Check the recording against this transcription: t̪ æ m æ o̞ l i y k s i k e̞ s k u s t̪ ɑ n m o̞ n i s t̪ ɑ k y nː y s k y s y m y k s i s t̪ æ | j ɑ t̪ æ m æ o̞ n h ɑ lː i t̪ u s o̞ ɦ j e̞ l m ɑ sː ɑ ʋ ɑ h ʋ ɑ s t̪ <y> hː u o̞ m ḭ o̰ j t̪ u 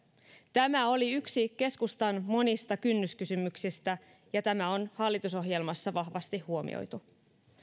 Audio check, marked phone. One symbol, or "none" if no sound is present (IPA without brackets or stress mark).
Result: i